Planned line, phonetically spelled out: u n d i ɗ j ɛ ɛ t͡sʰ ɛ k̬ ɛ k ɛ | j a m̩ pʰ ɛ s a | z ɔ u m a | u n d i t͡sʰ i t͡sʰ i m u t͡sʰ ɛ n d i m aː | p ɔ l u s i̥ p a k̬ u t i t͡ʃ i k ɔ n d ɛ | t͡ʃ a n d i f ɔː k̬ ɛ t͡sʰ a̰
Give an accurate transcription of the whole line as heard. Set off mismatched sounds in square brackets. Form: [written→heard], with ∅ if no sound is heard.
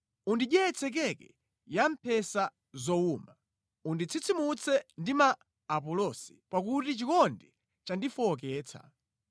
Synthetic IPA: u n d i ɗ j ɛ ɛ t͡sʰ ɛ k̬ ɛ k ɛ | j a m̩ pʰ ɛ s a | z ɔ u m a | u n d i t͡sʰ i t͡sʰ i m u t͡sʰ ɛ n d i m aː | p ɔ l [u→ɔ] s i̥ p a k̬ u t i t͡ʃ i k ɔ n d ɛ | t͡ʃ a n d i f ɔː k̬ [ɛ→ɛː] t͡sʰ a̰